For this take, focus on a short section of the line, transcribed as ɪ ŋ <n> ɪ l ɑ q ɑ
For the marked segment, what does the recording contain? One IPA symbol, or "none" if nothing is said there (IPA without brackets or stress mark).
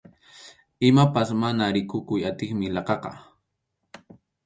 m